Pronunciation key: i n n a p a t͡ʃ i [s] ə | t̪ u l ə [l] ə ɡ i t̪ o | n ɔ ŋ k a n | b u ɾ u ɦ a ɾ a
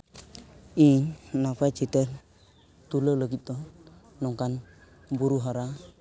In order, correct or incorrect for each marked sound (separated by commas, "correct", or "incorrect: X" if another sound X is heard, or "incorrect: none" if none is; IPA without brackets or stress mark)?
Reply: incorrect: t, correct